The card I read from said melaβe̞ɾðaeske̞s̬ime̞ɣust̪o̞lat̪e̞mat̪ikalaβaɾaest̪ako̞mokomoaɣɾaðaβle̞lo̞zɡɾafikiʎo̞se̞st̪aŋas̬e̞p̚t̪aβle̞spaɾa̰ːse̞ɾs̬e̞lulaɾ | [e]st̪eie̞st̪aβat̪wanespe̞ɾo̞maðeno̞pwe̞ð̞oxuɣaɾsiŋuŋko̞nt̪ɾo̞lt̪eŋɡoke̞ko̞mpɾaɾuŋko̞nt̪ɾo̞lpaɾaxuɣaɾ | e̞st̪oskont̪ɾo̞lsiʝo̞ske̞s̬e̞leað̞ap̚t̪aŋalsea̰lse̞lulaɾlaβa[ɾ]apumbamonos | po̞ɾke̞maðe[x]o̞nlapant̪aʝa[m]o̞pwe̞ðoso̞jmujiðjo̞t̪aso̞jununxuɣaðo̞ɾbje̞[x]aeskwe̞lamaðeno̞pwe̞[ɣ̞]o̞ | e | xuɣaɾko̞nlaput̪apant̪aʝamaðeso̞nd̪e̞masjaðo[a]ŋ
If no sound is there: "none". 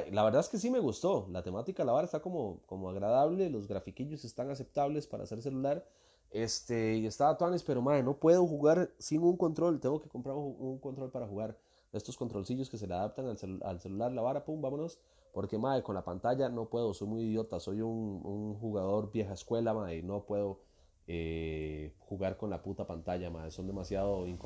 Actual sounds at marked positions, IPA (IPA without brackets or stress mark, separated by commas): e, ɾ, k, n, x, ð̞, i